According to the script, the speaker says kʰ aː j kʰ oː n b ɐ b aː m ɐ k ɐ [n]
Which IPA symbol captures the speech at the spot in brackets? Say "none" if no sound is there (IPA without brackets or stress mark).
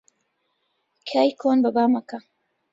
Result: none